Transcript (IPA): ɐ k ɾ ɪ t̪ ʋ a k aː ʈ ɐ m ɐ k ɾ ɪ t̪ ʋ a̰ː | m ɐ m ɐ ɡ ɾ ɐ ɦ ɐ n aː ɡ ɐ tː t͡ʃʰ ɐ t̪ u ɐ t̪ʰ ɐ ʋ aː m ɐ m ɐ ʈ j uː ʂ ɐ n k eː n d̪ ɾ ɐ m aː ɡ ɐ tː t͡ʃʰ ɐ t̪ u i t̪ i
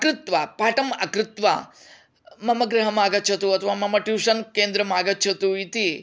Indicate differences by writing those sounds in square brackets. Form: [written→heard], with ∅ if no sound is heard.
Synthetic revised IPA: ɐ k ɾ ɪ t̪ ʋ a [k→p] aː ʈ ɐ m ɐ k ɾ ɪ t̪ ʋ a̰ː | m ɐ m ɐ ɡ ɾ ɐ ɦ ɐ [n→m] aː ɡ ɐ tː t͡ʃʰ ɐ t̪ u ɐ t̪ʰ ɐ ʋ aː m ɐ m ɐ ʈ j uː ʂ ɐ n k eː n d̪ ɾ ɐ m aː ɡ ɐ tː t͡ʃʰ ɐ t̪ u i t̪ i

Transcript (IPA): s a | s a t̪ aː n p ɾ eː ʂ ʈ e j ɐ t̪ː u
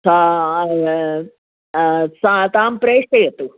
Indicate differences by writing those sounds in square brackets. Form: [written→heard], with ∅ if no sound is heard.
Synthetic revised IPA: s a | s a t̪ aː [n→m] p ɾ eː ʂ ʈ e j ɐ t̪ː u

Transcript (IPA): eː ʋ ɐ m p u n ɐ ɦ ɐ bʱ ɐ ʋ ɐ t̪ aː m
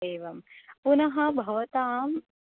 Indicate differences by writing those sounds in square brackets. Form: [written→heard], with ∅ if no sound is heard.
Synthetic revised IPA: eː ʋ ɐ m p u n ɐ ɦ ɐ bʱ ɐ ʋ ɐ t̪ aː m

